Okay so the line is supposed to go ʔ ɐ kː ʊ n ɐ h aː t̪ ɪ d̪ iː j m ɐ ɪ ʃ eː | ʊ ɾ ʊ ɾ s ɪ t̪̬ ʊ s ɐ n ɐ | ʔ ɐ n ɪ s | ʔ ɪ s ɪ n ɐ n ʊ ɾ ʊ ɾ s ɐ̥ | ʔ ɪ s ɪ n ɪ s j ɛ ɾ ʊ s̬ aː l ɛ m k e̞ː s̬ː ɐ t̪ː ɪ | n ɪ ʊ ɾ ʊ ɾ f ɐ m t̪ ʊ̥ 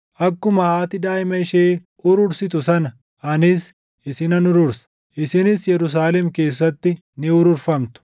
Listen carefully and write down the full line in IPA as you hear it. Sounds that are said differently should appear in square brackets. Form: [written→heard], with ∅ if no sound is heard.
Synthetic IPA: ʔ ɐ kː ʊ [n→m] ɐ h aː t̪ ɪ d̪ [iː→aː] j m ɐ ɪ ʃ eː | ʊ ɾ ʊ ɾ s ɪ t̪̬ ʊ s ɐ n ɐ | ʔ ɐ n ɪ s | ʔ ɪ s ɪ n ɐ n ʊ ɾ ʊ ɾ s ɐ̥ | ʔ ɪ s ɪ n ɪ s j ɛ ɾ ʊ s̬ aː l ɛ m k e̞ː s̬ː ɐ t̪ː ɪ | n ɪ ʊ ɾ ʊ ɾ f ɐ m t̪ ʊ̥